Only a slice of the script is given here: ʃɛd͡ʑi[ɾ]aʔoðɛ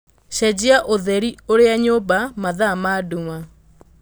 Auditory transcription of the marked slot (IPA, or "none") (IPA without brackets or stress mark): none